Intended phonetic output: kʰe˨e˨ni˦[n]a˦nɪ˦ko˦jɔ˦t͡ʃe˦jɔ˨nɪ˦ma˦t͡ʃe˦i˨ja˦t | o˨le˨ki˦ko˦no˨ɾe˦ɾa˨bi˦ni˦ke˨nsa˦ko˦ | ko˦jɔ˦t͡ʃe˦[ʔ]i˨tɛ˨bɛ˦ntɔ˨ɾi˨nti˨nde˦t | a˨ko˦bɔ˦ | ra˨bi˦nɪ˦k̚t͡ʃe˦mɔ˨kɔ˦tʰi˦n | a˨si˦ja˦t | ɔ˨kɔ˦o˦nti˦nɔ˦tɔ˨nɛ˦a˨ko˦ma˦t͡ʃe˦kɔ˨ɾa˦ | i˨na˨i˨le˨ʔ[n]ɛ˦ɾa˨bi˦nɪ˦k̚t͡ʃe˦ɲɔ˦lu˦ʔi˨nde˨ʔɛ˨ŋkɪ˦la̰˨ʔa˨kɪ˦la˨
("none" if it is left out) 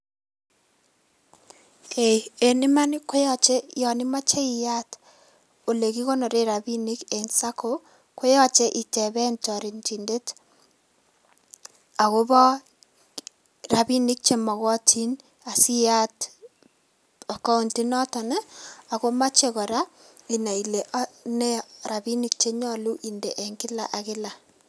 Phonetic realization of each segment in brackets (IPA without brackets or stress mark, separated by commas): m, ʔ, n